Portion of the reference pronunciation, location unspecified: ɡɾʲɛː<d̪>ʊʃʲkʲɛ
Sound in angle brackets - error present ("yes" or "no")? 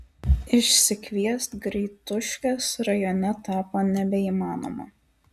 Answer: yes